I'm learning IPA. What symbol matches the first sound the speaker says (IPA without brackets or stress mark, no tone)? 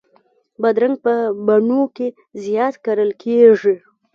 b